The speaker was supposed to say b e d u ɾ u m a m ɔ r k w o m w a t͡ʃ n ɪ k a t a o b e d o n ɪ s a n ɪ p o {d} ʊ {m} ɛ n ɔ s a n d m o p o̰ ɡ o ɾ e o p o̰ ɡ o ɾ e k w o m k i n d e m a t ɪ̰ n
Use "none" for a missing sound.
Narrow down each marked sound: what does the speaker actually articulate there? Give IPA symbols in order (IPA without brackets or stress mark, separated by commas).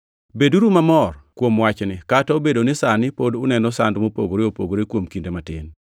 d, n